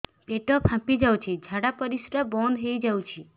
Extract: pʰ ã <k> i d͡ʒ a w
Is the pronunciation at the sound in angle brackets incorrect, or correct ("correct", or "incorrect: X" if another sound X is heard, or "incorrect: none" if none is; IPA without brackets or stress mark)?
incorrect: p